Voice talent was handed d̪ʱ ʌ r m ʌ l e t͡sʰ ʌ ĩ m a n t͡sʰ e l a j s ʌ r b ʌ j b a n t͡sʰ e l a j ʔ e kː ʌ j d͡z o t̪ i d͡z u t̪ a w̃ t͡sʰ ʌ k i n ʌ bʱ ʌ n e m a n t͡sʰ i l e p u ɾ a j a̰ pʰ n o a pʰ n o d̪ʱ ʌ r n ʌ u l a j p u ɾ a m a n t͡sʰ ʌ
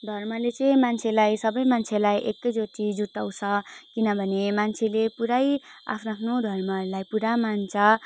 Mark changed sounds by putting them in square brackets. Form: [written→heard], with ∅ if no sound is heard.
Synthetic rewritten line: d̪ʱ ʌ r m ʌ l e [t͡sʰ→t͡s] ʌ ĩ m a n t͡sʰ e l a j s ʌ [r→∅] b ʌ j [b→m] a n t͡sʰ e l a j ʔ e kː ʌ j d͡z o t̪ i d͡z u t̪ a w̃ t͡sʰ ʌ k i n ʌ bʱ ʌ n e m a n t͡sʰ [i→e] l e p u ɾ a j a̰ pʰ n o a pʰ n o d̪ʱ ʌ r [n→m] ʌ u l a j p u ɾ a m a n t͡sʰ ʌ